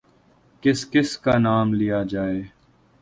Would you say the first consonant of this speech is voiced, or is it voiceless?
voiceless